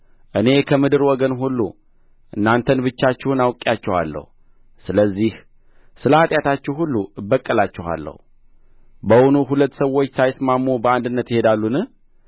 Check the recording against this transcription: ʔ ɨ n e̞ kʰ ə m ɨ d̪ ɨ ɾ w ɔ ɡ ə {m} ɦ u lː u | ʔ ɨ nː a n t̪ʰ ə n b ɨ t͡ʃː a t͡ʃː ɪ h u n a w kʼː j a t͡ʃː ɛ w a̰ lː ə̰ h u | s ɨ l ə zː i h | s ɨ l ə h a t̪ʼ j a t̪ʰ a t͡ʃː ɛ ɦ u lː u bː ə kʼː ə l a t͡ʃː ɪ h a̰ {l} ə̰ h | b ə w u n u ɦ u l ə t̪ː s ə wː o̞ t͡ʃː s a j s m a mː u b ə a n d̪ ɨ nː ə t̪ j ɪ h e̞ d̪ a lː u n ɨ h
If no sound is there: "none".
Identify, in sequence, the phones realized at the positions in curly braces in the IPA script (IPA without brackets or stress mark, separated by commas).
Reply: n, lː